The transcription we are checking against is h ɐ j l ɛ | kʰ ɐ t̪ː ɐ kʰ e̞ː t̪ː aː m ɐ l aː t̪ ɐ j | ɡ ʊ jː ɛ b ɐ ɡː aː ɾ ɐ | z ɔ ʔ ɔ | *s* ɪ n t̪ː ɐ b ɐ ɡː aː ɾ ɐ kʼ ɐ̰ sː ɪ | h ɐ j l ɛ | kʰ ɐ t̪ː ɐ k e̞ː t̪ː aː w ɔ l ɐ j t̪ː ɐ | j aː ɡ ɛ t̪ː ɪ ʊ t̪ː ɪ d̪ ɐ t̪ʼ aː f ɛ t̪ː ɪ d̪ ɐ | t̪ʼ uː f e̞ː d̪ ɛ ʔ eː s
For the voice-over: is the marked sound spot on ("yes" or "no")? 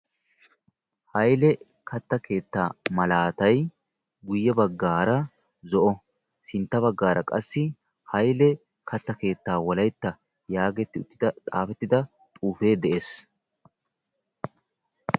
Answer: yes